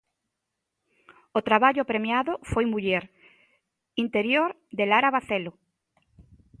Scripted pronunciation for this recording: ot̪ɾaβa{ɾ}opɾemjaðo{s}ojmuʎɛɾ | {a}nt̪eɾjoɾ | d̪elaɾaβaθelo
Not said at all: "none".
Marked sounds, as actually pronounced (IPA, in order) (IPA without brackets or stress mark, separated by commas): ʎ, f, i